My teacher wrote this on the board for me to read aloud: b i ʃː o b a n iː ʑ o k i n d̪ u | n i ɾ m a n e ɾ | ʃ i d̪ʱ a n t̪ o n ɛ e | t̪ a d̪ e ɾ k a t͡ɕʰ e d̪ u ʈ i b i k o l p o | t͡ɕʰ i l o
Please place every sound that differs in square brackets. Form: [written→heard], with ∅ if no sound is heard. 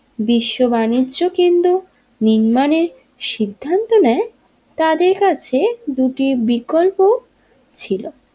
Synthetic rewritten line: b i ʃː o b a n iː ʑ o k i n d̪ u | n i ɾ m a n e ɾ | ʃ i [d̪ʱ→d̪ʱː] a n t̪ o n ɛ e | t̪ a d̪ e ɾ k a t͡ɕʰ e d̪ u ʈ i b i k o l p o | t͡ɕʰ i l o